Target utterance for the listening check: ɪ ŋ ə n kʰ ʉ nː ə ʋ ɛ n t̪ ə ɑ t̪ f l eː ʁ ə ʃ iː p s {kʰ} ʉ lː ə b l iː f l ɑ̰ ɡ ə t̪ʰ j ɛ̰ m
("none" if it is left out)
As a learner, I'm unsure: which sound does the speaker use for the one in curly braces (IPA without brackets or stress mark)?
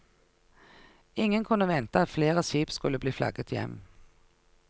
k